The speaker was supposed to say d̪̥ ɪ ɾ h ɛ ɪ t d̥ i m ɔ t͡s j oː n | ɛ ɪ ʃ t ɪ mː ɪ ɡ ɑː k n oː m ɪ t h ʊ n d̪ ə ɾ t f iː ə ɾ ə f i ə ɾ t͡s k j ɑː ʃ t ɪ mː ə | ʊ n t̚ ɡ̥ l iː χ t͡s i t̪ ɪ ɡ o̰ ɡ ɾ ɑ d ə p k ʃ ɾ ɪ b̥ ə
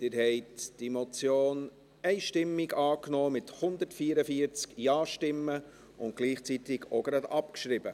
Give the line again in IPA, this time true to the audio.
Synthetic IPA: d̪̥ ɪ ɾ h ɛ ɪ t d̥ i m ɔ t͡s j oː n | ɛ ɪ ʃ t ɪ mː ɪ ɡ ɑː k n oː m ɪ t h ʊ n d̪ ə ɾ t f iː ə ɾ ə f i ə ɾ t͡s k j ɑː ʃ t ɪ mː ə | ʊ n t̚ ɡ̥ l iː χ t͡s i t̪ ɪ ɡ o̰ ɡ ɾ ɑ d ɑ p k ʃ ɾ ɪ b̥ ə

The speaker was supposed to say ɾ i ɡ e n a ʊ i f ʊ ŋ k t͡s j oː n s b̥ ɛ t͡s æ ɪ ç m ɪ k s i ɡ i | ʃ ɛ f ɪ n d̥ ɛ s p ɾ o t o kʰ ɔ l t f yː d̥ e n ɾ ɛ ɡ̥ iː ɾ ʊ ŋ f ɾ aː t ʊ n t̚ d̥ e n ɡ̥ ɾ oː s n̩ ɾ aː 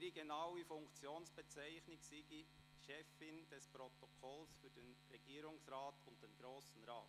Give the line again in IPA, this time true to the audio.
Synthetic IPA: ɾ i ɡ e n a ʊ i f ʊ ŋ k t͡s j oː n s b̥ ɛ t͡s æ ɪ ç n ɪ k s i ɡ i | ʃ ɛ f ɪ n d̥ ɛ s p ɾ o t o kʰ ɔ l s f yː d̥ e n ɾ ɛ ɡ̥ iː ɾ ʊ ŋ s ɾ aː t ʊ n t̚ d̥ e n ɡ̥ ɾ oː s n̩ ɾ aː

